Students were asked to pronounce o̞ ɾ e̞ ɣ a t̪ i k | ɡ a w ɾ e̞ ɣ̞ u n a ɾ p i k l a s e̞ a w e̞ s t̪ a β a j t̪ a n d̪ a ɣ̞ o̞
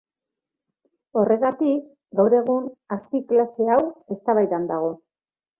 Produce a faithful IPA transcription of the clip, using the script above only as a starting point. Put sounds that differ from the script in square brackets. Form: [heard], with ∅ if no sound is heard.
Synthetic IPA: o̞ [r] e̞ ɣ a t̪ i k | ɡ a w ɾ e̞ ɣ̞ u n a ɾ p i k l a s e̞ a w e̞ s t̪ a β a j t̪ a n d̪ a ɣ̞ o̞